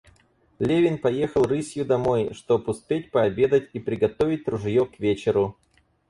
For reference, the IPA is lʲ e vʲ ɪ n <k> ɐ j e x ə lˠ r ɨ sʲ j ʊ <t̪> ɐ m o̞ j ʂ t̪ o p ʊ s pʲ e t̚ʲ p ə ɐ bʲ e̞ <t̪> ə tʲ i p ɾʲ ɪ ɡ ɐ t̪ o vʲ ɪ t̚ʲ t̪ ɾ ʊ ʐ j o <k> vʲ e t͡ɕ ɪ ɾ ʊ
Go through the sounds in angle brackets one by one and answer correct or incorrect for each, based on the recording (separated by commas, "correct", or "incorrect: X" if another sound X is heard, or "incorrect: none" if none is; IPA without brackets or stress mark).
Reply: incorrect: p, incorrect: d̪, incorrect: d̪, correct